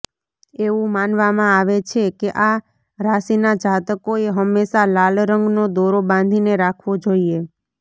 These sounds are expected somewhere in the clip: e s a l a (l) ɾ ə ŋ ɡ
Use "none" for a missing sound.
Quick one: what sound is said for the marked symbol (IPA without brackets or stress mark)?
l